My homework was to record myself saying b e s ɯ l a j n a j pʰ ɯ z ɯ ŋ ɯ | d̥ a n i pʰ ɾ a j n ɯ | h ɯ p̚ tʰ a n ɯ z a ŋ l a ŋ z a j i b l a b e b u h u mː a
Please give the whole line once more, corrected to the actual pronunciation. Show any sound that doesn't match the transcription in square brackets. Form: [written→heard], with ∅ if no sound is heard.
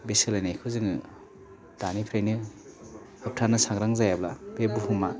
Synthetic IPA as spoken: b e s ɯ l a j n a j [pʰ→kʰ] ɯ z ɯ ŋ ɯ | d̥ a n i pʰ ɾ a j n ɯ | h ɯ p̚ tʰ a n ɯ [z→s] a ŋ [l→ɾ] a ŋ z a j [i→a] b l a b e b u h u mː a

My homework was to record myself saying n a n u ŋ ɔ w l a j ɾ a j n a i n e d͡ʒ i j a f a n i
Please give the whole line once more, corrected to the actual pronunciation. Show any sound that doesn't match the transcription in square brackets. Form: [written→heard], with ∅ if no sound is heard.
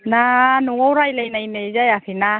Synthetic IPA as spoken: n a n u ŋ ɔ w [l→ɾ] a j [ɾ→l] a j n a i n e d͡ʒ [i→a] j a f [a→i] n [i→a]

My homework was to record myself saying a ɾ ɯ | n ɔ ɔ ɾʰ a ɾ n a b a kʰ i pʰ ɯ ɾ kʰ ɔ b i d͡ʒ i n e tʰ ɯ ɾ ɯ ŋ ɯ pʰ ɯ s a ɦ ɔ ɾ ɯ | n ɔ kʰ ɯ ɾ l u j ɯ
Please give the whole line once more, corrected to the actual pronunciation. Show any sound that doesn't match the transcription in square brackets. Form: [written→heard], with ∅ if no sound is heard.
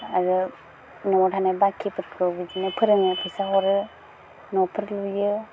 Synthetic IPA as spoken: a ɾ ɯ | n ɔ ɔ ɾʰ a [ɾ→∅] n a b a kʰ i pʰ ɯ ɾ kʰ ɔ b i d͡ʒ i n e [tʰ→pʰ] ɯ ɾ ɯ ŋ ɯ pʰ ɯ s a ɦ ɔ ɾ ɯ | n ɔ [kʰ→pʰ] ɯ ɾ l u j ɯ

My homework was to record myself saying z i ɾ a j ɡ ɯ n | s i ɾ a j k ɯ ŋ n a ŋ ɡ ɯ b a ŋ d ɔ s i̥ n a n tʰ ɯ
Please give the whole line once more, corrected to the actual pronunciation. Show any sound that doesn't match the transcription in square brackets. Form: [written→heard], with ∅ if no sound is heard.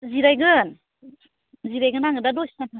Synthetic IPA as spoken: z i ɾ a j ɡ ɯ n | [s→z] i ɾ a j [k→ɡ] ɯ [ŋ→∅] n a ŋ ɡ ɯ [b→d] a [ŋ→∅] d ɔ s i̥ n a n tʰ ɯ

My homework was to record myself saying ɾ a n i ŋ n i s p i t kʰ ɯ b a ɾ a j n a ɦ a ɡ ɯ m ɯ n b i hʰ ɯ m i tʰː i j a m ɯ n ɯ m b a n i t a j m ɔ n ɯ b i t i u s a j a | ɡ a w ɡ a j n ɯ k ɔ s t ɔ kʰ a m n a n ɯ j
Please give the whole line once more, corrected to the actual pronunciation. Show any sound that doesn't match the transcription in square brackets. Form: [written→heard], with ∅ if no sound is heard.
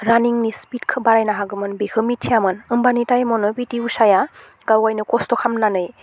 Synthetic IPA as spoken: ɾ a n i ŋ n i s p i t kʰ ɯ b a ɾ a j n a ɦ a ɡ ɯ m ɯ n b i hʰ ɯ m i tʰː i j a m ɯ n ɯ m b a n i t a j m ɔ n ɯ b i t i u s a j a | ɡ a w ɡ a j n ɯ k ɔ s t ɔ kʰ a m n a n ɯ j

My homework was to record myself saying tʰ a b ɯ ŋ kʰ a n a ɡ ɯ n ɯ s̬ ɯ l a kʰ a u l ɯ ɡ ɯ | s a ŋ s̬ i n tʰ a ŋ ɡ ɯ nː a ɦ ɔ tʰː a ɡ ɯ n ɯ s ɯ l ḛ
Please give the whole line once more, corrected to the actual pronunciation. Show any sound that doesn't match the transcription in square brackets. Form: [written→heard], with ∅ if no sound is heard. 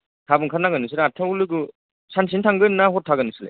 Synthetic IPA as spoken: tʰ a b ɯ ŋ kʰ a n a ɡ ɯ n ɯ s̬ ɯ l a [kʰ→tʰ] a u l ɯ ɡ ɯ | s a [ŋ→n] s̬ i n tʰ a ŋ ɡ ɯ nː a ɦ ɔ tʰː a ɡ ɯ n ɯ s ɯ l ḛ

